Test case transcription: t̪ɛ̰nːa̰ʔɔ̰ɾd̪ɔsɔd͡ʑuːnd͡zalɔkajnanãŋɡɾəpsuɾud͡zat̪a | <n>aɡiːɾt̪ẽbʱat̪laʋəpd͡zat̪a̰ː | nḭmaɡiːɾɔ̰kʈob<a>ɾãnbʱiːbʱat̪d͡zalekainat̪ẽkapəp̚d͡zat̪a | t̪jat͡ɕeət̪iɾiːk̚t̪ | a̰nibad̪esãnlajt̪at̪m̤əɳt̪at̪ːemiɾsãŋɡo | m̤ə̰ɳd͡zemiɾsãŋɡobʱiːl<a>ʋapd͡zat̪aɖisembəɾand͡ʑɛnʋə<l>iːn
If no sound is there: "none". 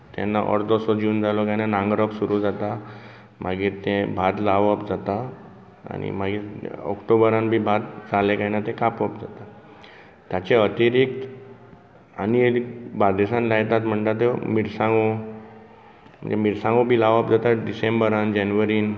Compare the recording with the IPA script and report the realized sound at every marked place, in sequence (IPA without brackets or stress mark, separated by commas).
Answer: m, ə, a, ɾ